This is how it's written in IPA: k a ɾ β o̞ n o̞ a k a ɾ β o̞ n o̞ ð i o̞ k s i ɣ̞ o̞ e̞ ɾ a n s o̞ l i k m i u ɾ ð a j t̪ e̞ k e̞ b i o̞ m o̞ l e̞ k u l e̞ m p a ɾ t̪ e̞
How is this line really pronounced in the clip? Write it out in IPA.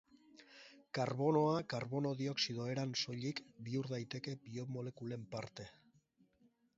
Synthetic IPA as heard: k a ɾ β o̞ n o̞ a k a ɾ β o̞ n o̞ ð i o̞ k s i ð̞ o̞ e̞ ɾ a n s o̞ ʎ i k b i u ɾ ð a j t̪ e̞ k e̞ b i o̞ m o̞ l e̞ k u l e̞ m p a ɾ t̪ e̞